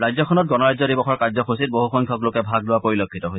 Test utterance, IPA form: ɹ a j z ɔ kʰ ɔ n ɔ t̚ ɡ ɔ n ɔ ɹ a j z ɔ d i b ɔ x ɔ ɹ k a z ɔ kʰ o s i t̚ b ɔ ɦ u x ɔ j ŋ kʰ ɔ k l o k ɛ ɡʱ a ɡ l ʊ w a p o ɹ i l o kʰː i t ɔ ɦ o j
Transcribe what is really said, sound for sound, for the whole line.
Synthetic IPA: ɹ a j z ɔ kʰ ɔ n ɔ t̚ ɡ ɔ n ɔ ɹ a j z ɔ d i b ɔ x ɔ ɹ k a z ɔ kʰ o s i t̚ b o ɦ u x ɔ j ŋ kʰ ɔ k l o k ɛ bʱ a ɡ l ʊ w a p o ɹ i l o kʰː i t ɔ ɦ o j